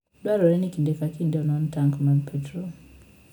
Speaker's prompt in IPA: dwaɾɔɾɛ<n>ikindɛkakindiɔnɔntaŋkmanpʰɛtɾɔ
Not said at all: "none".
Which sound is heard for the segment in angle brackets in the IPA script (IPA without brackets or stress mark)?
n